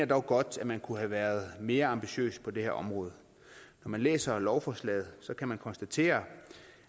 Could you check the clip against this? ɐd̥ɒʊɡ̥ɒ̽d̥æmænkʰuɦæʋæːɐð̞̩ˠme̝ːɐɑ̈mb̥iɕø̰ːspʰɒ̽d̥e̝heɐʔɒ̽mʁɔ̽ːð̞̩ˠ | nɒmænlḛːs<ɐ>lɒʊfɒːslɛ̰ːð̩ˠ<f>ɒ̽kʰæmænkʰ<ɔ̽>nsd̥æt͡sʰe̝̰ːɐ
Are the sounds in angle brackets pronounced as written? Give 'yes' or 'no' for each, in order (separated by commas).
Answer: yes, no, no